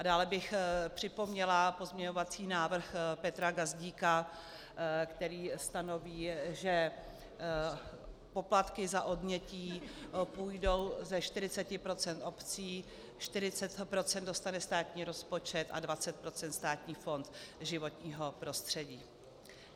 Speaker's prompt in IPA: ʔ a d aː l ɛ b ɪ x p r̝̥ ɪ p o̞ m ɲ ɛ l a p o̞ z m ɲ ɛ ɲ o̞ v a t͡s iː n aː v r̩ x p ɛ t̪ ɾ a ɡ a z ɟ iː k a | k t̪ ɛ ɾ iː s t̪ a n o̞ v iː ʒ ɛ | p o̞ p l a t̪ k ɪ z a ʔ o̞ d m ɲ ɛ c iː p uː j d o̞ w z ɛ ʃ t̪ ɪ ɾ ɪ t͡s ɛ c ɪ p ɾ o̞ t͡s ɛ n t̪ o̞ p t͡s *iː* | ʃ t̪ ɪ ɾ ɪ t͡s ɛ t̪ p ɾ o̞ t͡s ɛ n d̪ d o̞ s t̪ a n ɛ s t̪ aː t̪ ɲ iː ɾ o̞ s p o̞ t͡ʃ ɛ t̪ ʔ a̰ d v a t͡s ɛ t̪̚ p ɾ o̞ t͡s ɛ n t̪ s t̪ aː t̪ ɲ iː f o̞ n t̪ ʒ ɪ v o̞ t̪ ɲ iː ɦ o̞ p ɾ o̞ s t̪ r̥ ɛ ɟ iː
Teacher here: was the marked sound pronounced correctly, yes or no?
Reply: yes